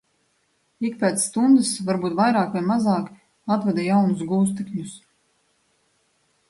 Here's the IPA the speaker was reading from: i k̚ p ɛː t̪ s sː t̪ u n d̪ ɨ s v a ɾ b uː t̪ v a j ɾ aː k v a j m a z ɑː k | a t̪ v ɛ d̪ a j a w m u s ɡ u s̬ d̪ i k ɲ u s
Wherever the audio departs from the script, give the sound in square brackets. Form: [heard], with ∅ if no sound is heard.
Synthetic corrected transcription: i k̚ p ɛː t̪ s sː t̪ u n d̪ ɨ s v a ɾ b uː t̪ v a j ɾ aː k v a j m a z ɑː k | a t̪ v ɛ d̪ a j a w [n] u s ɡ [uː] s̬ [t̪] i k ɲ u s